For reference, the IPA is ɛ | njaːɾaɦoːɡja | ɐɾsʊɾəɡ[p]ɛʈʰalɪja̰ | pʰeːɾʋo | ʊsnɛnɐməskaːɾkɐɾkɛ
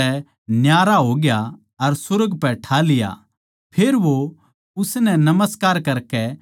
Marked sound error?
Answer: no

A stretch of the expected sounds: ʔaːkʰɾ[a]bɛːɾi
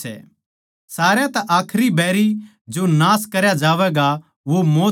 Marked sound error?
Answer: yes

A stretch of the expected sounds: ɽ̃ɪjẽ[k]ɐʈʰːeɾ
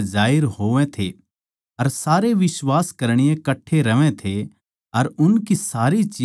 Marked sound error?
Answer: no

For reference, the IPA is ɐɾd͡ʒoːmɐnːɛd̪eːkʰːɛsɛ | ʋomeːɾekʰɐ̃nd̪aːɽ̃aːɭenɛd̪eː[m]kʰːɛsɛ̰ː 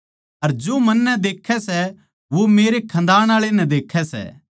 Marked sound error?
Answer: yes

